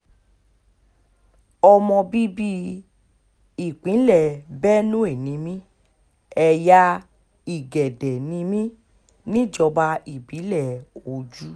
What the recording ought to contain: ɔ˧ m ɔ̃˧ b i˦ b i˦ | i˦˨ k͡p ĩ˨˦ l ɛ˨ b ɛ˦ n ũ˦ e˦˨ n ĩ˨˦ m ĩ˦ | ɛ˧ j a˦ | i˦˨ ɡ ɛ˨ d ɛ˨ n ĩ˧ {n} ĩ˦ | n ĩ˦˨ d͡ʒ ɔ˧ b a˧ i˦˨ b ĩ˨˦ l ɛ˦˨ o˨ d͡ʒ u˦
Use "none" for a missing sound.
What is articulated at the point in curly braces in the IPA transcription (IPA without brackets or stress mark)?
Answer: m